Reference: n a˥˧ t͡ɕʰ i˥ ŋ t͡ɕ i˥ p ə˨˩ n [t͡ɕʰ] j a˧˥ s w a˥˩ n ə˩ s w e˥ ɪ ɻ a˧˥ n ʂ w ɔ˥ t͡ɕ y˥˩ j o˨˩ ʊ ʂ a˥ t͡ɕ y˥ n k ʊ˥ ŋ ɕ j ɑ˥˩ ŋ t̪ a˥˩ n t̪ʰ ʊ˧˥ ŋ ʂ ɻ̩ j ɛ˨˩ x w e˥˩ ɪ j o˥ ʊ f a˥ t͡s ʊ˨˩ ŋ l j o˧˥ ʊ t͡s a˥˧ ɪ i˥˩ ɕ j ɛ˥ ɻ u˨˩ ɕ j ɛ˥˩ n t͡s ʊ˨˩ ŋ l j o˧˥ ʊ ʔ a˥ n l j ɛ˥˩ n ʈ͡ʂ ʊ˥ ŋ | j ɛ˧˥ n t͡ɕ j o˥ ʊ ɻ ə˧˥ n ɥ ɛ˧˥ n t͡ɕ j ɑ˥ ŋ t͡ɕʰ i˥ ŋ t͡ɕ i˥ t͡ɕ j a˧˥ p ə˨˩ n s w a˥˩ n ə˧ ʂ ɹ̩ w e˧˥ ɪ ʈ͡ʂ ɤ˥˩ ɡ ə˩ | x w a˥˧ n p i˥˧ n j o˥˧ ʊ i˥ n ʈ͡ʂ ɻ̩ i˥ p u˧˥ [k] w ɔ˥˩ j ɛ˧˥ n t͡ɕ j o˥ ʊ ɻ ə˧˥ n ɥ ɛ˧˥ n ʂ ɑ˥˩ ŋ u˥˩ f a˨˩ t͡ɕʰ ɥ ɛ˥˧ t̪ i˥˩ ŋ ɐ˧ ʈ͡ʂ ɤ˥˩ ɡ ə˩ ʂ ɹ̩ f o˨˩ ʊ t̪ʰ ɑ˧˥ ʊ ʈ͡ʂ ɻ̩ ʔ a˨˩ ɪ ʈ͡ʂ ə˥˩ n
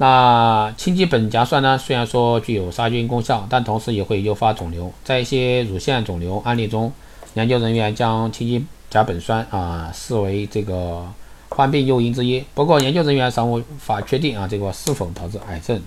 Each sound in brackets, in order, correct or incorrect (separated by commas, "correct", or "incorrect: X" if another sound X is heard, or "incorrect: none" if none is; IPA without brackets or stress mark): incorrect: t͡ɕ, correct